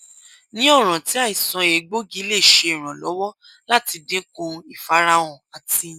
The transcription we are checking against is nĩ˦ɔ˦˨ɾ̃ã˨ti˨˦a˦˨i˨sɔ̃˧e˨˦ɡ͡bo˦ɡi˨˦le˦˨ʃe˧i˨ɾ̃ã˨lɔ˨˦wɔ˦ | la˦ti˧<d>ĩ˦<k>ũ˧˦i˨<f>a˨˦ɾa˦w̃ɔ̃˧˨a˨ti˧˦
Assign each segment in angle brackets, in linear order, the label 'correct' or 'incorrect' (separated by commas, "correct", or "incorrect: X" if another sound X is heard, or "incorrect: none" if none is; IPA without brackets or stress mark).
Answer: correct, correct, correct